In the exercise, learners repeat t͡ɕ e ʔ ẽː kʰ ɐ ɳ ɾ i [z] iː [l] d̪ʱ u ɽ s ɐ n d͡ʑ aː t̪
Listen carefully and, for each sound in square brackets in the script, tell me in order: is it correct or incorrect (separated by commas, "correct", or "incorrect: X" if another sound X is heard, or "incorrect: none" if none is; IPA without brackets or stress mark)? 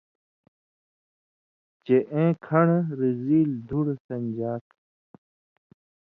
correct, correct